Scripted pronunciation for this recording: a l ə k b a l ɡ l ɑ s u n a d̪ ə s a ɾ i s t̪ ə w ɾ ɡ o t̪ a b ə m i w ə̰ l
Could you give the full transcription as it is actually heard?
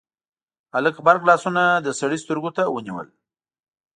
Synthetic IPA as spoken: a l ə k b a ɾ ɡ l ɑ s u n a d̪ ə s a ɽ i s t̪ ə ɾ ɡ o t̪ a w ə n i w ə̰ l